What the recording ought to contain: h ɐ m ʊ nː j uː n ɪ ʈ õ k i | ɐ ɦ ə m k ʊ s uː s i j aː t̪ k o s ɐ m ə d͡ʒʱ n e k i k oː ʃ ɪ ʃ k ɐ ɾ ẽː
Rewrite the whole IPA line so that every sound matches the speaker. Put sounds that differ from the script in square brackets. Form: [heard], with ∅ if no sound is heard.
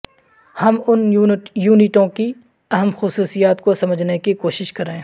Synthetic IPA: h ɐ m ʊ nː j uː n ɪ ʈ õ k i | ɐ ɦ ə m [x] ʊ s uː s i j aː t̪ k o s ɐ m ə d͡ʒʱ n e k i k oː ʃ ɪ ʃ k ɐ ɾ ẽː

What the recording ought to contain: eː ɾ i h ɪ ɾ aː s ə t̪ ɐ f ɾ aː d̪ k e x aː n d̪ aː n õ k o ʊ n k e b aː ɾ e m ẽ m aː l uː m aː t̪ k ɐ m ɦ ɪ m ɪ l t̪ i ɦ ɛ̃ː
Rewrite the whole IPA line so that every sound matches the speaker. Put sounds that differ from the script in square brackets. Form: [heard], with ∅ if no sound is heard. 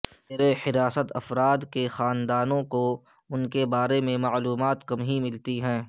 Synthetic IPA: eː ɾ [e] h ɪ ɾ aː s ə t̪ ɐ f ɾ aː d̪ k e x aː n d̪ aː n õ k o ʊ n k e b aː ɾ e m ẽ m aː l uː m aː t̪ k ɐ m ɦ [i] m ɪ l t̪ i ɦ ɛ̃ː

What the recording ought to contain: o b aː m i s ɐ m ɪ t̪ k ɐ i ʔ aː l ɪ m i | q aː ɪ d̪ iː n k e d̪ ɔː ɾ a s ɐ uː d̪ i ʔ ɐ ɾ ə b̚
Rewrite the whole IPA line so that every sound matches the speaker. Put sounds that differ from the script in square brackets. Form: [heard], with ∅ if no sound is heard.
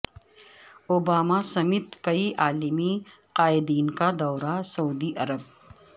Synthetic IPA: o b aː m [a] s ɐ m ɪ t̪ k ɐ i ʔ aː l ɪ m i | q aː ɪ d̪ iː n k [a] d̪ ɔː ɾ a s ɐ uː d̪ i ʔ ɐ ɾ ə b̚

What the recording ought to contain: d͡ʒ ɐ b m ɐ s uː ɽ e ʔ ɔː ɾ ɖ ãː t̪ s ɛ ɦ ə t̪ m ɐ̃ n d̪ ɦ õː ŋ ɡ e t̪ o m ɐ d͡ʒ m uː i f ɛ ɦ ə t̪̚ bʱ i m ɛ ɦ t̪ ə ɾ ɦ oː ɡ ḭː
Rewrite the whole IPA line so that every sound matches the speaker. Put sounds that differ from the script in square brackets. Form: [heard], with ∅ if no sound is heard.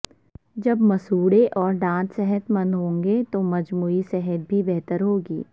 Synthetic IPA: d͡ʒ ɐ b m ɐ s uː ɽ e ʔ ɔː ɾ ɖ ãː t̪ s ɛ ɦ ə t̪ m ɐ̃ n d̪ ɦ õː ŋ ɡ e t̪ o m ɐ d͡ʒ m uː i [s] ɛ ɦ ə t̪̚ bʱ i [b] ɛ ɦ t̪ ə ɾ ɦ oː ɡ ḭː

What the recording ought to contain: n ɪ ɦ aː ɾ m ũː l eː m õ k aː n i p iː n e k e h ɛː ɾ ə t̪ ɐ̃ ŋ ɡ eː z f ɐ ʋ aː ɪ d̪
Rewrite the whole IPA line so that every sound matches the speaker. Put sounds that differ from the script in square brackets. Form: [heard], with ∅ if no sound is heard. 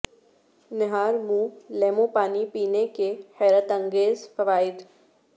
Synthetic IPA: n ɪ ɦ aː ɾ m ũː l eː m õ [p] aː n i p iː n e k e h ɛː ɾ ə t̪ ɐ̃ ŋ ɡ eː z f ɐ ʋ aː ɪ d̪

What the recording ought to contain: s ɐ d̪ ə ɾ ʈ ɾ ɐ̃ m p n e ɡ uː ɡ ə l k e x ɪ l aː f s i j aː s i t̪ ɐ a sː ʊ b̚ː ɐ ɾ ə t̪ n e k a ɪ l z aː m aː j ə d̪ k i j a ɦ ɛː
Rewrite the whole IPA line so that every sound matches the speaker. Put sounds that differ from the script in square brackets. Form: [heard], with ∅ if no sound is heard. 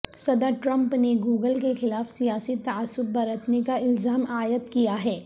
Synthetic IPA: s ɐ d̪ ə ɾ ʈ ɾ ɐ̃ m p n e ɡ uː ɡ ə l k e x ɪ l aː f s i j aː s i t̪ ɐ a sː ʊ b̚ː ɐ ɾ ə t̪ n e k a ɪ l z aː m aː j ə [t̪] k i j a ɦ ɛː

